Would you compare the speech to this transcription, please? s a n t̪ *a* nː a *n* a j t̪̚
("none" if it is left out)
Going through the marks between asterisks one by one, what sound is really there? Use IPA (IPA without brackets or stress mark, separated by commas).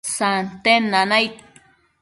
e, n